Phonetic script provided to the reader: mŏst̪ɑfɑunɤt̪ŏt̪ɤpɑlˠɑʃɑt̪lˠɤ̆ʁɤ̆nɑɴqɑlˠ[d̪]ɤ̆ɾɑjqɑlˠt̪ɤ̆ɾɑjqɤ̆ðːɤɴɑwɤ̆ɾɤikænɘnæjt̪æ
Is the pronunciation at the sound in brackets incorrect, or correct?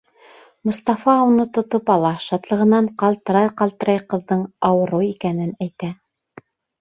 incorrect: t̪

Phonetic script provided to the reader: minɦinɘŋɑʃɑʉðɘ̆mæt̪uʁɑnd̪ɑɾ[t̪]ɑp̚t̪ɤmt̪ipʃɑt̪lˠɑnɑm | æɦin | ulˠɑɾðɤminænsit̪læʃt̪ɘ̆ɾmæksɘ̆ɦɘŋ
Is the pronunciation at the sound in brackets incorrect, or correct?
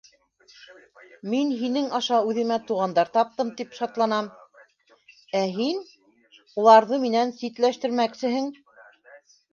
correct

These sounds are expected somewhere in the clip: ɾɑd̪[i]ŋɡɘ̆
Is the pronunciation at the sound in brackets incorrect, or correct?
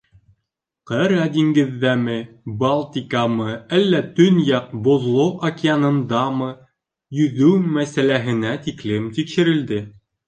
correct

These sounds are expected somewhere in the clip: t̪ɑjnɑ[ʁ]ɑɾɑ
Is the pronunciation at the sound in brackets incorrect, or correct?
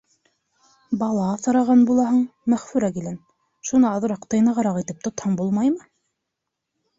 correct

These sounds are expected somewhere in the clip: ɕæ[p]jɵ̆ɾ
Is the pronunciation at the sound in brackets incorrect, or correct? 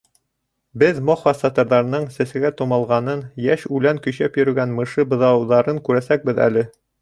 correct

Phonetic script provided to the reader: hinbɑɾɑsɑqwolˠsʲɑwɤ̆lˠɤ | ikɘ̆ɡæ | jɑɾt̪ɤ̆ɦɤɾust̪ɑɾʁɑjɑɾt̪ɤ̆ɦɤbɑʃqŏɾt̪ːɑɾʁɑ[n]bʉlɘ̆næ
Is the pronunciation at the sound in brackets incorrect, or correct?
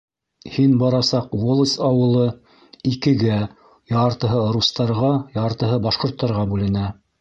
incorrect: none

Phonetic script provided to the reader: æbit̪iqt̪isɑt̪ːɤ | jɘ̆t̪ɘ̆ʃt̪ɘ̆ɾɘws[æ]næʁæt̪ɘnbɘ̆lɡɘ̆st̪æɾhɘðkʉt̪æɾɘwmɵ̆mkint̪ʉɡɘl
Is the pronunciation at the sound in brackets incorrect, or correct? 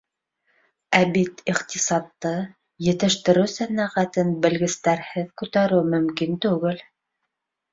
correct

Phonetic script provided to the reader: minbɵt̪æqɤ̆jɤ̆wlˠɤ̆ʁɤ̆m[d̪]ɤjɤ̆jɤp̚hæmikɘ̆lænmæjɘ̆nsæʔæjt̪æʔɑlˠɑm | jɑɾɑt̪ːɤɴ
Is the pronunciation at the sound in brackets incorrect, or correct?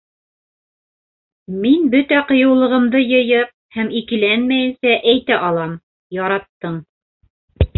correct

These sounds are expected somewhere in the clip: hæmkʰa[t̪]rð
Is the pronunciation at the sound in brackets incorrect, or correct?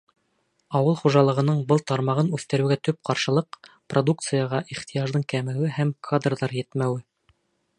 incorrect: d̪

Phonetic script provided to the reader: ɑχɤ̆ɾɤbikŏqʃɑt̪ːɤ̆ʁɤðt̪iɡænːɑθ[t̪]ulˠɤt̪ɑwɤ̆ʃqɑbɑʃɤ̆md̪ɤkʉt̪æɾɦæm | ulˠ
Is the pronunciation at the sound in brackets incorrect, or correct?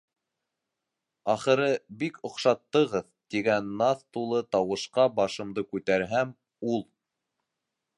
correct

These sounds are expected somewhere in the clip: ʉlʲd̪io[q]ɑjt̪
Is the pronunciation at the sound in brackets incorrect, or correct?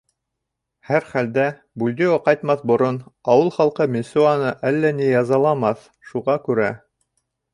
correct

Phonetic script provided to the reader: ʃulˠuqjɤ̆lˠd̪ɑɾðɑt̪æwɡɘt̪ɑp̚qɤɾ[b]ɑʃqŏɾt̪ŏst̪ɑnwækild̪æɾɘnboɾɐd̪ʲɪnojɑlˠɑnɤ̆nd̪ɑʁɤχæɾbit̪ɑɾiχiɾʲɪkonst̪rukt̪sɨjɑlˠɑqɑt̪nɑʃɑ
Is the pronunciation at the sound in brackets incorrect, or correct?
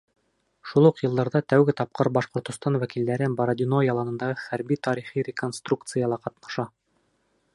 correct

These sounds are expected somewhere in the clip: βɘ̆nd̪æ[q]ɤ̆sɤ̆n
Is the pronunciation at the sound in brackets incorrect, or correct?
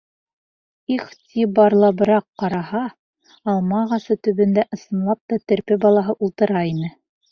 incorrect: ʔ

